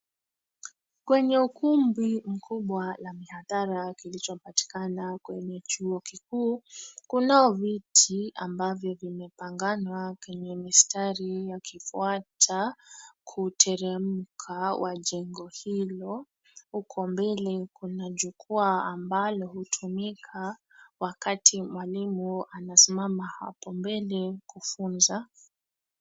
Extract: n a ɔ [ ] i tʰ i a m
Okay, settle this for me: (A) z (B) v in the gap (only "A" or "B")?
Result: B